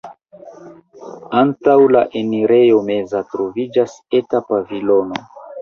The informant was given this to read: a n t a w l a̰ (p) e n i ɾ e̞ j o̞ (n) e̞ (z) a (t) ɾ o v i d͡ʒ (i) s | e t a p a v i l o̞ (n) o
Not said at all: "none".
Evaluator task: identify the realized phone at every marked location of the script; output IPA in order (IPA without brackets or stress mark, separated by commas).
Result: ʔ, m, z, t, a, n